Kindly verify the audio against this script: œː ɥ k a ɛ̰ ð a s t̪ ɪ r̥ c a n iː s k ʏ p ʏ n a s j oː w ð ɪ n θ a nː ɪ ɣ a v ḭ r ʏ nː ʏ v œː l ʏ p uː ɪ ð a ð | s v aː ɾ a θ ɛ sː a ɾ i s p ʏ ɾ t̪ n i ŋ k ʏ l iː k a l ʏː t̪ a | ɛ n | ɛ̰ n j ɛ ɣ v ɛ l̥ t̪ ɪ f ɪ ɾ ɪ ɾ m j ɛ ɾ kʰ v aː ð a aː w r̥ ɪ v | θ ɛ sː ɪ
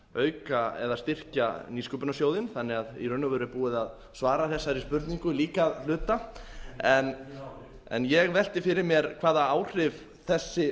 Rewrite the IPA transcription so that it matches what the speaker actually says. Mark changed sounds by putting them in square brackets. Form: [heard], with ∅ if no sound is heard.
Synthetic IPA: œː ɥ k a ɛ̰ ð a s t̪ ɪ r̥ c a n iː s k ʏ p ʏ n a s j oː w ð ɪ n θ a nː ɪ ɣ a [ð] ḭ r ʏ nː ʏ v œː [ɾ] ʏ p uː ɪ ð a ð | s v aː ɾ a θ ɛ sː a ɾ i s p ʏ ɾ t̪ n i ŋ k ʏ l iː k a l ʏː t̪ a | ɛ n | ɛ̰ n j ɛ ɣ v ɛ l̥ t̪ ɪ f ɪ ɾ ɪ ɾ m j ɛ ɾ kʰ v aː ð a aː w r̥ ɪ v | θ ɛ sː ɪ